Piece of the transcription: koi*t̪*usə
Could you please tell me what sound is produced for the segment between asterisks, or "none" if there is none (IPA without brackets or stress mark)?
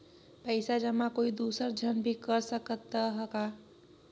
d̪